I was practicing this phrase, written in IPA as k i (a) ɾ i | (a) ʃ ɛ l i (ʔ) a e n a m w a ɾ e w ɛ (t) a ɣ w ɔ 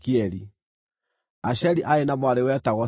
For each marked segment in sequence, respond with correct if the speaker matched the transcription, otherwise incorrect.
incorrect: ɛ, correct, correct, correct

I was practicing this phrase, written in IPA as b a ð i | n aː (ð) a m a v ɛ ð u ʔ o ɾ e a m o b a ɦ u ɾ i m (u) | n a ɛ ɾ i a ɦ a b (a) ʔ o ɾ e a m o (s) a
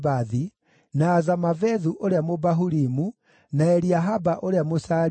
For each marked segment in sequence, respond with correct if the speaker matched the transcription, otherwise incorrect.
incorrect: z, correct, correct, correct

